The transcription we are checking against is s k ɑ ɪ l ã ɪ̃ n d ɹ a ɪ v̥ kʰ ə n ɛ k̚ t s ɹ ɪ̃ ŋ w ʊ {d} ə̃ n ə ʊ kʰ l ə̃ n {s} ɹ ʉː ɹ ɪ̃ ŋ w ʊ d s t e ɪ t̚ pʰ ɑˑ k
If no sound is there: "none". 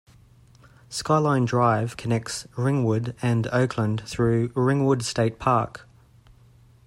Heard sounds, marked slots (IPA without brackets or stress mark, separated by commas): d, θ